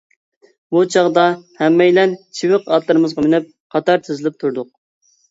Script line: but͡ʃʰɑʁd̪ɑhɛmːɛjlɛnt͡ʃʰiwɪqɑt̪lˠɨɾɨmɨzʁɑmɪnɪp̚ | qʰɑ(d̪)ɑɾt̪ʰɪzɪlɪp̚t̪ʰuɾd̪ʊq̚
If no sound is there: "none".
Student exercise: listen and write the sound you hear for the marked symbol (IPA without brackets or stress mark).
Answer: t̪